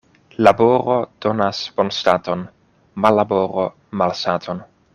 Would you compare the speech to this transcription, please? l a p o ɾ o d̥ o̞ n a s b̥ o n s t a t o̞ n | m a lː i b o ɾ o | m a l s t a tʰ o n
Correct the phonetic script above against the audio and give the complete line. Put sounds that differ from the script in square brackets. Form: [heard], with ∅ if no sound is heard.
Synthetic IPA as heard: l a [b] o ɾ o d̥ o̞ n a s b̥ o n s t a t o̞ n | m a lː [a] b o ɾ o | m a l s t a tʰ o n